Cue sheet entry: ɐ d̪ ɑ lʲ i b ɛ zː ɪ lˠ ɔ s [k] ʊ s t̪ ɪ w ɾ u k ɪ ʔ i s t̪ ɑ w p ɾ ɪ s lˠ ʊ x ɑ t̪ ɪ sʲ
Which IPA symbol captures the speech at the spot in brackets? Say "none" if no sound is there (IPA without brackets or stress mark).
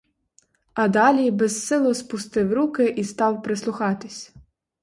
p